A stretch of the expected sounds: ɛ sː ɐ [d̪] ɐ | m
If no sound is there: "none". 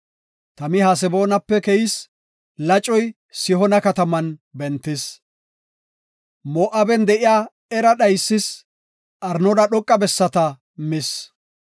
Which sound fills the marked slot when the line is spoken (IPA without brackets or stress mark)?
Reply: t̪